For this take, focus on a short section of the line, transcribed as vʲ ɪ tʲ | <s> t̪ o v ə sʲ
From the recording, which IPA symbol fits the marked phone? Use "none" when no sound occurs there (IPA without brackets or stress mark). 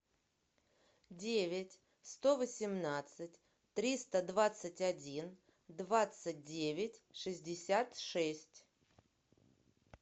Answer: s